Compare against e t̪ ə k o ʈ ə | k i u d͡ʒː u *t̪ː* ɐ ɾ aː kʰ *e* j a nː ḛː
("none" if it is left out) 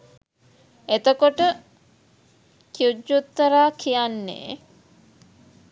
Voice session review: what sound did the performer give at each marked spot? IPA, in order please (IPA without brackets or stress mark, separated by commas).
t̪ː, i